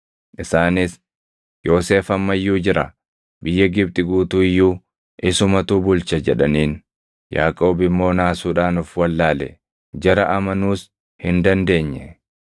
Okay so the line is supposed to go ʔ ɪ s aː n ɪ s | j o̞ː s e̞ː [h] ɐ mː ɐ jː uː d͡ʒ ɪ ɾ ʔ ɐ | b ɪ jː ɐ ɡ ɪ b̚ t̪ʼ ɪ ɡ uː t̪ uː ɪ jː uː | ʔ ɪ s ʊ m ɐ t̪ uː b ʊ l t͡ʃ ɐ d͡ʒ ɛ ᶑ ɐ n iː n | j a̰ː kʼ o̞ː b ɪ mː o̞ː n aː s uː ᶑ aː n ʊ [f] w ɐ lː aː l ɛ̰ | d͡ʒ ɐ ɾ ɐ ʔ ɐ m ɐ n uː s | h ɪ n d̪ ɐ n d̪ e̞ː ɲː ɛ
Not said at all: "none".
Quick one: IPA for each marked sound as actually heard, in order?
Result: f, f

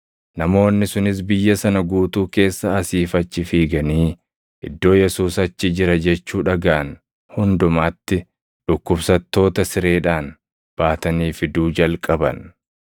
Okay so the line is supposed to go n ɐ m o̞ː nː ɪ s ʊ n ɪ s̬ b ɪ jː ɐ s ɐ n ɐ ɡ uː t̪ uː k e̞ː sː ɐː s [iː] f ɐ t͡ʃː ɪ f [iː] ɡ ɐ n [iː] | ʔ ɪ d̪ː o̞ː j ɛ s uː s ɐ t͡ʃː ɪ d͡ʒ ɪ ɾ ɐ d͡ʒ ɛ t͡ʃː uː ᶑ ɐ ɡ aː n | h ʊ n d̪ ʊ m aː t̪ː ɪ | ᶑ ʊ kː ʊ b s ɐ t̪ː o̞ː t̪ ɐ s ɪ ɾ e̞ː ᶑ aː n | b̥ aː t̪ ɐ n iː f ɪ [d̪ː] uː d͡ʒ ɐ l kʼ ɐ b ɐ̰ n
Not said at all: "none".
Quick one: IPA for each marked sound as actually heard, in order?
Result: iː, iː, iː, d̪

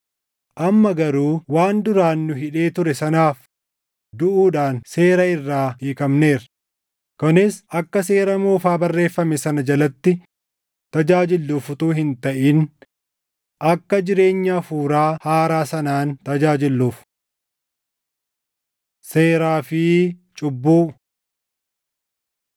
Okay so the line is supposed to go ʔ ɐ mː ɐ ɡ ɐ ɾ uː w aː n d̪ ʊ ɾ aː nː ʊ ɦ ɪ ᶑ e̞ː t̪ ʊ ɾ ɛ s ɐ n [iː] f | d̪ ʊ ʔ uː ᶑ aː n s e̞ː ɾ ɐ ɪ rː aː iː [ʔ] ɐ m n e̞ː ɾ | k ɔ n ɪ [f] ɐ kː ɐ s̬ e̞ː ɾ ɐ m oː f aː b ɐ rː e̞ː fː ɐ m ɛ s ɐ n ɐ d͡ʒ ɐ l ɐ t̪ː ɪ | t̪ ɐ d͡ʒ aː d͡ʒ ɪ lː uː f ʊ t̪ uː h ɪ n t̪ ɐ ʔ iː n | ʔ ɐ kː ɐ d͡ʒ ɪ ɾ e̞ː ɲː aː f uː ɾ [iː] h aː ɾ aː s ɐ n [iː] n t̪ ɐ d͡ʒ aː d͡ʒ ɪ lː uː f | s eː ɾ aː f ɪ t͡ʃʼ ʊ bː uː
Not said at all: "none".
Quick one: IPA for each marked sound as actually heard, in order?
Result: aː, k, s, aː, aː

